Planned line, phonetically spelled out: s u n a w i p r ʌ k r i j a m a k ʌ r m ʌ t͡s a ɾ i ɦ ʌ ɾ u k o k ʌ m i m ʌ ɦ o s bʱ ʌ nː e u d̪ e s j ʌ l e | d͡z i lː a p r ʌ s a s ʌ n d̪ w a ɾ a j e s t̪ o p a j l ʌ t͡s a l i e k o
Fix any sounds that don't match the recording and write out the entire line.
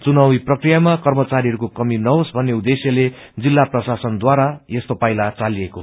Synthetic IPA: t͡s u n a w i p r ʌ k r i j a m a k ʌ r m ʌ t͡s a ɾ i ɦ ʌ ɾ u k o k ʌ m i n ʌ ɦ o s bʱ ʌ nː e u d̪ e s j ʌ l e | d͡z i lː a p r ʌ s a s ʌ n d̪ w a ɾ a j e s t̪ o p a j l a t͡s a l i e k o